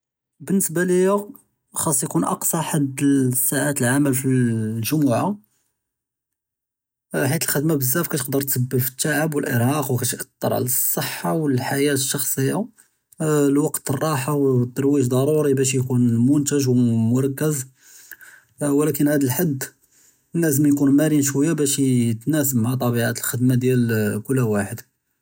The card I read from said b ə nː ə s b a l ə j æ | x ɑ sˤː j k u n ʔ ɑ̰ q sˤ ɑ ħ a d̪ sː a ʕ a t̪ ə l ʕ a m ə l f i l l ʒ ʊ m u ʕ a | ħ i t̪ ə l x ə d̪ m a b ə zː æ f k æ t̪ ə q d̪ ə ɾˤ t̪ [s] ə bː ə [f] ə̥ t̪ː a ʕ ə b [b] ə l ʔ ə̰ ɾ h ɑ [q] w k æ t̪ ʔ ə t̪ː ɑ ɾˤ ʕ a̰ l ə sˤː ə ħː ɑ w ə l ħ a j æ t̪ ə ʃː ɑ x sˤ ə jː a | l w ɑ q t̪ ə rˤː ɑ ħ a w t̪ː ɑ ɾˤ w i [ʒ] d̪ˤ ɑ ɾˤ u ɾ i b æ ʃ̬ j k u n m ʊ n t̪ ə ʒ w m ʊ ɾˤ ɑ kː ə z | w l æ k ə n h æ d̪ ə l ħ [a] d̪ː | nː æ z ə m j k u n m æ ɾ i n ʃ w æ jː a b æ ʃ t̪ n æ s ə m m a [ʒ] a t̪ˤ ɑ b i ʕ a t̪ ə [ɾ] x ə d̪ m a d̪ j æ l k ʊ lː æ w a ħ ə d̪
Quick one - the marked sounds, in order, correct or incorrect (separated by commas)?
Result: correct, correct, incorrect, correct, correct, correct, incorrect, incorrect